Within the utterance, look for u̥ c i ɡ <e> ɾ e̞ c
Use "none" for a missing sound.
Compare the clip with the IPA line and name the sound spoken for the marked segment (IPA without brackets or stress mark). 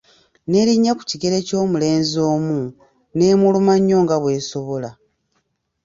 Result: e